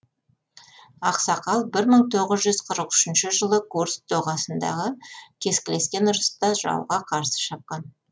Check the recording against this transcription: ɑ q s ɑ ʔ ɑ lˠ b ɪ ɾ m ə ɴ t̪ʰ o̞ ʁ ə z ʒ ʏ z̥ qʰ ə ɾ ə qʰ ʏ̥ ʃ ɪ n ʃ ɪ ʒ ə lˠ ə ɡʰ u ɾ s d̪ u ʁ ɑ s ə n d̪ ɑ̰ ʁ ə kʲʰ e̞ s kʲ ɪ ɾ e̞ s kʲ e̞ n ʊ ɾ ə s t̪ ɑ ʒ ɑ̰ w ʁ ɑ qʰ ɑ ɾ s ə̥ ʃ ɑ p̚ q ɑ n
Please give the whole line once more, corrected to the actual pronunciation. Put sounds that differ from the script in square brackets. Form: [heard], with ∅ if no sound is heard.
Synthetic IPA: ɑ q s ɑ [q] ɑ lˠ b ɪ ɾ m ə ɴ t̪ʰ o̞ ʁ ə z ʒ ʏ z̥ qʰ ə ɾ ə [q] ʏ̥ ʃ ɪ n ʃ ɪ ʒ ə lˠ ə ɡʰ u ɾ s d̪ [o] ʁ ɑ s ə n d̪ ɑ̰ ʁ ə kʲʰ e̞ s kʲ ɪ [l] e̞ s kʲ e̞ n ʊ ɾ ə s t̪ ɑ ʒ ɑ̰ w ʁ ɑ qʰ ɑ ɾ s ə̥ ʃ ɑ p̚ q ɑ n